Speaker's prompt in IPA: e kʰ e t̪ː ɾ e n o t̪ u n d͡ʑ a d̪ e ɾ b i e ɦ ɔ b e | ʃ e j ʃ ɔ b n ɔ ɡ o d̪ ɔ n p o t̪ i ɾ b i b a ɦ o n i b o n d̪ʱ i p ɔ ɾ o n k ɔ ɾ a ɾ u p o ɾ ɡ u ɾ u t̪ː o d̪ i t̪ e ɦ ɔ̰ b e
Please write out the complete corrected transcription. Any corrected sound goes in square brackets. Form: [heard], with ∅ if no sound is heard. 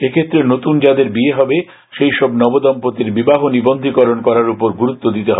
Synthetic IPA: e kʰ e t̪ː ɾ e n o t̪ u n d͡ʑ a d̪ e ɾ b i e ɦ ɔ b e | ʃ e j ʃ ɔ b n ɔ [b] o d̪ ɔ [m] p o t̪ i ɾ b i b a ɦ o n i b o n d̪ʱ i [k] ɔ ɾ o n k ɔ ɾ a ɾ u p o ɾ ɡ u ɾ u t̪ː o d̪ i t̪ e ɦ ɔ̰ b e

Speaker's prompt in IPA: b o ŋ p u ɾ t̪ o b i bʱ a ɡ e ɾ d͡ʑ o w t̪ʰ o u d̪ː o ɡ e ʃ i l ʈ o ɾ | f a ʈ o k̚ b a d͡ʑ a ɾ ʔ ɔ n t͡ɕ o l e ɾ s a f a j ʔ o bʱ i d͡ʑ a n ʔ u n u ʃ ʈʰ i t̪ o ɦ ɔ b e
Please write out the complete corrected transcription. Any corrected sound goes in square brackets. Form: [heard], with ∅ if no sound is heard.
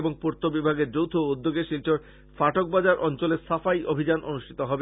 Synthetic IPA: b o ŋ p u ɾ t̪ o b i bʱ a ɡ e ɾ d͡ʑ o w t̪ʰ o u d̪ː o ɡ e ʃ i l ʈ o ɾ | f a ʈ o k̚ b a d͡ʑ a ɾ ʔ ɔ n t͡ɕ o l e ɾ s a f a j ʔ o bʱ i d͡ʑ a n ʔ [o] n u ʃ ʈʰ i t̪ o ɦ ɔ b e

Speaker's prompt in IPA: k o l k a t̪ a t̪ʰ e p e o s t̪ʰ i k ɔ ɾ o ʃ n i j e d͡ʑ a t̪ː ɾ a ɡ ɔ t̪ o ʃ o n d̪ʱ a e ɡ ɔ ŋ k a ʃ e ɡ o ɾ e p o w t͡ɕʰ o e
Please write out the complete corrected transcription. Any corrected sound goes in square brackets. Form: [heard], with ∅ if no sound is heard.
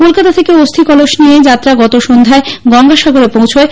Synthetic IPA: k o l k a t̪ a t̪ʰ e [k] e o s t̪ʰ i k ɔ [l] o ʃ n i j e d͡ʑ a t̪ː ɾ a ɡ ɔ t̪ o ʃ o n d̪ʱ a e ɡ ɔ ŋ [ɡ] a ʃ [a] ɡ o ɾ e p o w t͡ɕʰ o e

